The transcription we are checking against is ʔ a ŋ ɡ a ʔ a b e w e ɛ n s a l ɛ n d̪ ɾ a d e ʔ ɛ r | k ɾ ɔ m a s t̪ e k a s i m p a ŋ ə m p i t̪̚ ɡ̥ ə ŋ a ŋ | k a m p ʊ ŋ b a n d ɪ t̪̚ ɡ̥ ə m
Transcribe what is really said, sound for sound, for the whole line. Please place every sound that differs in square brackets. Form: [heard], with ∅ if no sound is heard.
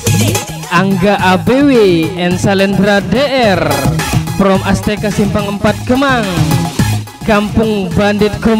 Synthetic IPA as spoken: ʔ a ŋ ɡ a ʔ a b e w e ɛ n s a l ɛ n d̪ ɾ a d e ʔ ɛ r | [p] ɾ ɔ m a s t̪ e k a s i m p a ŋ ə m p [a] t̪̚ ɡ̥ ə [m] a ŋ | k a m p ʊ ŋ b a n d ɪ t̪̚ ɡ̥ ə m